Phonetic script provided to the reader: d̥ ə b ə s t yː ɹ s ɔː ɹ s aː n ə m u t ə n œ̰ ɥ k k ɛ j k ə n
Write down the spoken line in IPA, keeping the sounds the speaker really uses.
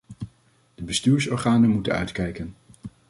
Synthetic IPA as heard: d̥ ə b ə s t yː ɹ s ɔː ɹ χ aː n ə m u t ə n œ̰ ɥ t k ɛ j k ə n